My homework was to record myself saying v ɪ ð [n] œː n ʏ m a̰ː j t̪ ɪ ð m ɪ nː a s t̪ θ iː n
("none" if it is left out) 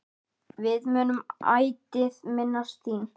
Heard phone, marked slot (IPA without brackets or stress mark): m